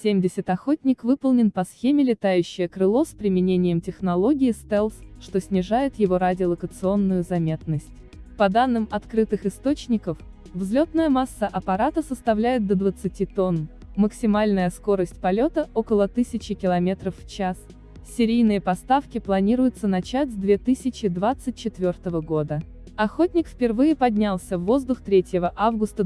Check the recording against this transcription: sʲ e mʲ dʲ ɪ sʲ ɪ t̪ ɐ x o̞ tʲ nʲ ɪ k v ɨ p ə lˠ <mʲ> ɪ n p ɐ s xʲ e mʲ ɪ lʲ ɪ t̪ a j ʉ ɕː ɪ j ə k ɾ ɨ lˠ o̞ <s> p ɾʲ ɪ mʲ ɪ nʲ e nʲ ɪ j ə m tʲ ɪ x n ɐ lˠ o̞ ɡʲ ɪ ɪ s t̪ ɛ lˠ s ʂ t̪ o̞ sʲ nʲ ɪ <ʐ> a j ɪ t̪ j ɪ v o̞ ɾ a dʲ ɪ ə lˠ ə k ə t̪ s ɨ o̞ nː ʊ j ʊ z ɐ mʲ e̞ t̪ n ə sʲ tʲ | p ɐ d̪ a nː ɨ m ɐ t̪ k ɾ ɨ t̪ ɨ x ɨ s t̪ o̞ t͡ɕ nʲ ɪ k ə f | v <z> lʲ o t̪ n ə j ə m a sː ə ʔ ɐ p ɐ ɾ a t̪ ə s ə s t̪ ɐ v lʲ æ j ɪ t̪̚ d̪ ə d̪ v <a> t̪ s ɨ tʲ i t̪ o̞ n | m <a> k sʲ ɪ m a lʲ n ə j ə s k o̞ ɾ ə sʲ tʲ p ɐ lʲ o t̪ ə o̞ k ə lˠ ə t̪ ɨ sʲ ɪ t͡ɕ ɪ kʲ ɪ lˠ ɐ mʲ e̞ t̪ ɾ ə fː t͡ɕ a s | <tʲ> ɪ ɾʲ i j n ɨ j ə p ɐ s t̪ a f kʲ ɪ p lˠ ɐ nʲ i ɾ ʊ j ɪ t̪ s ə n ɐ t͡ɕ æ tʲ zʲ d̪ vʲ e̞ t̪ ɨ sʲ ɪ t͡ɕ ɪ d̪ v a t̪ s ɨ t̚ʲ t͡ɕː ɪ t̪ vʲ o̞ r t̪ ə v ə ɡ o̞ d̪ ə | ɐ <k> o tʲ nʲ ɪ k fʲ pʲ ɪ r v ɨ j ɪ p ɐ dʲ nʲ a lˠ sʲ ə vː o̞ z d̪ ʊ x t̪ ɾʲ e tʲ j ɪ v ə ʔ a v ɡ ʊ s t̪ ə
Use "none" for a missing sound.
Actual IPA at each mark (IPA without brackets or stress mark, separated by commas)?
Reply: nʲ, s, ʐ, z, ə, ə, sʲ, x